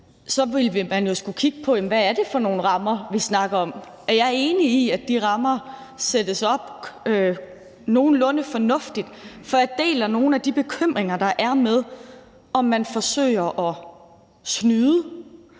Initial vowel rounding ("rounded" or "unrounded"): rounded